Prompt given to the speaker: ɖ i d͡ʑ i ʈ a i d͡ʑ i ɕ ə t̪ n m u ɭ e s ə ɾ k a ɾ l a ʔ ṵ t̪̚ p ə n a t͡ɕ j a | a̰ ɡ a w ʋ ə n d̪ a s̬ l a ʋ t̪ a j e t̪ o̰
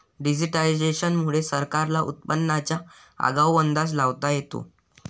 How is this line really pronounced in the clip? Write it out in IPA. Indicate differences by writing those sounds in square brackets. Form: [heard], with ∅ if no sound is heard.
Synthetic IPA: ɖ i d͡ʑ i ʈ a i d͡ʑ [e] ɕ ə [∅] n m u ɭ e s ə ɾ k a ɾ l a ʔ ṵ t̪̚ p ə [nː] a t͡ɕ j a | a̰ ɡ a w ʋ ə n d̪ a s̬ l a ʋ t̪ a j e t̪ o̰